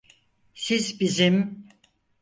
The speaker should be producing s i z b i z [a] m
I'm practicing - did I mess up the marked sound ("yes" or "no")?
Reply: yes